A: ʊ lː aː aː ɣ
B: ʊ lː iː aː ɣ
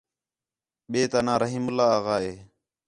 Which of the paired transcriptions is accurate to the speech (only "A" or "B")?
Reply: A